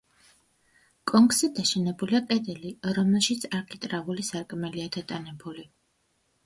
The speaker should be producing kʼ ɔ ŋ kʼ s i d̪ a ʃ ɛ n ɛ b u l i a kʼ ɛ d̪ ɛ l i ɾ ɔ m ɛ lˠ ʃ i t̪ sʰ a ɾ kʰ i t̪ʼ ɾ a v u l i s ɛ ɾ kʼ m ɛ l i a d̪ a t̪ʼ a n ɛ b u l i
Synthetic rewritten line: kʼ ɔ ŋ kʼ s i d̪ a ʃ ɛ n ɛ b u l i a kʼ ɛ d̪ ɛ l i ɾ ɔ m ɛ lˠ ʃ i t̪ sʰ a ɾ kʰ i t̪ʼ ɾ a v u l i s a ɾ kʼ m ɛ l i a d̪ a t̪ʼ a n ɛ b u l i